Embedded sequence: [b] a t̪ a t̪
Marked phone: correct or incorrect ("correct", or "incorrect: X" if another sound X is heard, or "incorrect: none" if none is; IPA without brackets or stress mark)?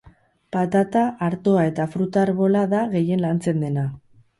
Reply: incorrect: p